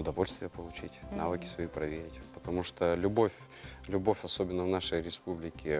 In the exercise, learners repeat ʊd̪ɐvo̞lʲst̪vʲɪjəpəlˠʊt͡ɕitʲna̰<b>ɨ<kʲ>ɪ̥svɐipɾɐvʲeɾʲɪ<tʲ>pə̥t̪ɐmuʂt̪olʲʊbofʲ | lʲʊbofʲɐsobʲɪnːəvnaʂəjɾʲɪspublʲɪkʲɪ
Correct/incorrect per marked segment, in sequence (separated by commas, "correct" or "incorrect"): incorrect, correct, correct